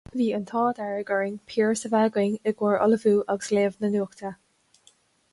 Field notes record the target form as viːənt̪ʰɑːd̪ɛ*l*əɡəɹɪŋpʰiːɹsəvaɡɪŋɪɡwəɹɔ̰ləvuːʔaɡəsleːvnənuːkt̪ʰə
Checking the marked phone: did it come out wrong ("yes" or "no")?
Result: yes